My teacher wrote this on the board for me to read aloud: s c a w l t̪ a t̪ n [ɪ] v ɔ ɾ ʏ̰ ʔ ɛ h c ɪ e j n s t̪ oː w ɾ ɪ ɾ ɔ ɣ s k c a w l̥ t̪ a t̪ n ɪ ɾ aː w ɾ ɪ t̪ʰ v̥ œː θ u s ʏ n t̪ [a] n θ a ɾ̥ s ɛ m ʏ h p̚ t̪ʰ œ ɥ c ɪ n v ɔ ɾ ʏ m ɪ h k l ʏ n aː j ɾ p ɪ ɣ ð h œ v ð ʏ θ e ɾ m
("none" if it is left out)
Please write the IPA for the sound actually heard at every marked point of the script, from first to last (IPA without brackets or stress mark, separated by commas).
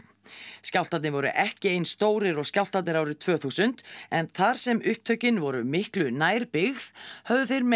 ɪ, ɛ